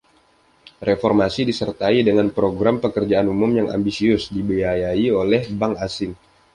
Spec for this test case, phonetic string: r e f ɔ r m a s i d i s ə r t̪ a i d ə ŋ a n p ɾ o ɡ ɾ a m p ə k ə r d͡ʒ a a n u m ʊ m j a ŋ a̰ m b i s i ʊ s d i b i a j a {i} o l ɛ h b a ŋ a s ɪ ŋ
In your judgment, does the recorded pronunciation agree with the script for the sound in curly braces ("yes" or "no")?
yes